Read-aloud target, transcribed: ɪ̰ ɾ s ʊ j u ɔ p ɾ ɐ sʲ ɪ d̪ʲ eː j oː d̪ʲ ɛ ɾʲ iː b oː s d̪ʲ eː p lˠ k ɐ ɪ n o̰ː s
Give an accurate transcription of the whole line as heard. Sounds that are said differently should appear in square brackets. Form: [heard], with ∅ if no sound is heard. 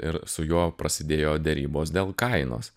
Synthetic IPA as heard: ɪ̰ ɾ s ʊ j u ɔ p ɾ ɐ sʲ ɪ d̪ʲ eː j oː d̪ʲ ɛ ɾʲ iː b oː s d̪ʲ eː [∅] lˠ k ɐ ɪ n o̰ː s